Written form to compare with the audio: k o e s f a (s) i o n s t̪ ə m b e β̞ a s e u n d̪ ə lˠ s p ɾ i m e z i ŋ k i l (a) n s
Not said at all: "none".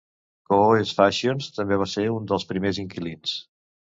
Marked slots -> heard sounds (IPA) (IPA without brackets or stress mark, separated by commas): ʃ, i